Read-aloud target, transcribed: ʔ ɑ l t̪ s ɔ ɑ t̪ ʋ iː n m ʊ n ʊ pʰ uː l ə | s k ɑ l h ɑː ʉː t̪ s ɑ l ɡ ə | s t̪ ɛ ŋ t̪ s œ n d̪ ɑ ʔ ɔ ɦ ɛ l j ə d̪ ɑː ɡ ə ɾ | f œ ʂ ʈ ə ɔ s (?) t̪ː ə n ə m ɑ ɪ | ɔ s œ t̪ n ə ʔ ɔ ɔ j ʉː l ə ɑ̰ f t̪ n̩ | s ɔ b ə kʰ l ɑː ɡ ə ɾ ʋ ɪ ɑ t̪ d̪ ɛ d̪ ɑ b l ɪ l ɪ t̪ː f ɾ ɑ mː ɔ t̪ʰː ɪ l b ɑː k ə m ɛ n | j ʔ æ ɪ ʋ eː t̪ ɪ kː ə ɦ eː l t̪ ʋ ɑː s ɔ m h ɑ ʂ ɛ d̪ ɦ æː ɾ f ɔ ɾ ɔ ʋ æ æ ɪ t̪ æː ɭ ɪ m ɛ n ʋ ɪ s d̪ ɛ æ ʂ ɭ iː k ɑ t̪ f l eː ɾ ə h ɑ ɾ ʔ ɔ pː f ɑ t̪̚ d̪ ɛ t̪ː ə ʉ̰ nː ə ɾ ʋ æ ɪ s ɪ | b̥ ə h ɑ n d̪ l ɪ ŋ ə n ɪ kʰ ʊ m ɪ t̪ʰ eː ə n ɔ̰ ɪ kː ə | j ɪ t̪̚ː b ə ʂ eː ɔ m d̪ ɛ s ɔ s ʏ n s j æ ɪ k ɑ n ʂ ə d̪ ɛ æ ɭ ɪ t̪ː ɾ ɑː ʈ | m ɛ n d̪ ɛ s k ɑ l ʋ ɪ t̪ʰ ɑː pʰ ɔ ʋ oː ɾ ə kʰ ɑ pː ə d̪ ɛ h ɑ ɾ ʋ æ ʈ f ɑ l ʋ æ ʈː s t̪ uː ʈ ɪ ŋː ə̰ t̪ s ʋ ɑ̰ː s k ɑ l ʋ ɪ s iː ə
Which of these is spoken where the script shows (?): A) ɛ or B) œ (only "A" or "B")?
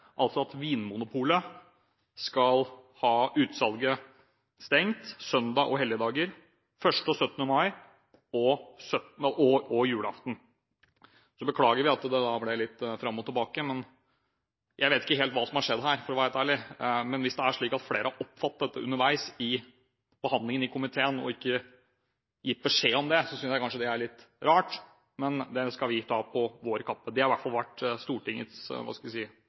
B